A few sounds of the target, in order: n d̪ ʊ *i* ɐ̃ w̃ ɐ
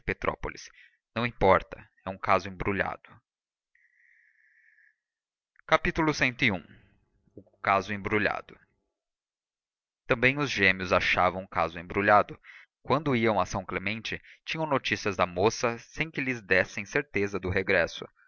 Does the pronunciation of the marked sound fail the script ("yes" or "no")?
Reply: no